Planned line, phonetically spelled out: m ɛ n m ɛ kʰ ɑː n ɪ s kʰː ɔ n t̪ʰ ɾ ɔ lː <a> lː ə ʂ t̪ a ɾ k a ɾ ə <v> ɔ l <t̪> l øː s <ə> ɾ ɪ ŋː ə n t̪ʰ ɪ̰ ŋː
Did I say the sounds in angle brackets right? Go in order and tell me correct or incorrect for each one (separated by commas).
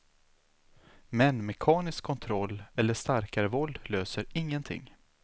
incorrect, correct, incorrect, correct